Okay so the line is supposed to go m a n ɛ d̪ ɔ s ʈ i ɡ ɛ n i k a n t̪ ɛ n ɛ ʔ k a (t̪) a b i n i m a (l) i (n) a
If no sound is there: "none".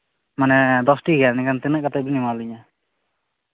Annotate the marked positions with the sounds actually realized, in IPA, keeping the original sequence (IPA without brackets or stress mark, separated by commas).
t̪, l, ɲ